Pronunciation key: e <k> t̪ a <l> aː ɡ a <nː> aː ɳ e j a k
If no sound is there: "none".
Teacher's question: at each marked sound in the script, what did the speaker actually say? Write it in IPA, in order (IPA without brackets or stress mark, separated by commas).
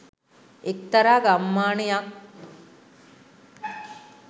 k, ɾ, mː